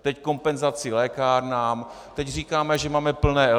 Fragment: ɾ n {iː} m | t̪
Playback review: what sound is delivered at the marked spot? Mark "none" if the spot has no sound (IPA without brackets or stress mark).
aː